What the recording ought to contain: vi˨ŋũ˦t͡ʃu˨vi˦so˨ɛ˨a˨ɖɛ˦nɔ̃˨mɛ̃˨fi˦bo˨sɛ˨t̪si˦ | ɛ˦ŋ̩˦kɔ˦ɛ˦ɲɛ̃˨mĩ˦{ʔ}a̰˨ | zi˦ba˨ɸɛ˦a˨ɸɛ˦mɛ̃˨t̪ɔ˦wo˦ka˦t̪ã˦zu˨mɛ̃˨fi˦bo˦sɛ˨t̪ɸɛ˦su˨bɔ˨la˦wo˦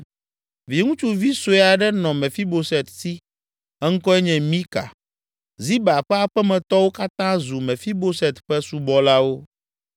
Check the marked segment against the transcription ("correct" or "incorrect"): incorrect